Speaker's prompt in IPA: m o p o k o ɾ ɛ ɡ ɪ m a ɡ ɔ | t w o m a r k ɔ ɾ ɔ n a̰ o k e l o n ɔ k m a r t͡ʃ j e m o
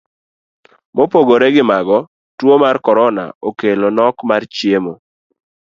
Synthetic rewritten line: m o p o ɡ o ɾ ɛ ɡ ɪ m a ɡ ɔ | t w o m a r k ɔ ɾ ɔ n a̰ o k e l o n ɔ k m a r t͡ʃ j e m o